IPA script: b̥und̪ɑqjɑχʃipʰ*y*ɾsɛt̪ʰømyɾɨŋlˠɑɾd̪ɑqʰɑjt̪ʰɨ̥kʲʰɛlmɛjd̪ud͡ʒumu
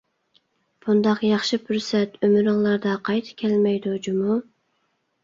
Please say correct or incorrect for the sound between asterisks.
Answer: correct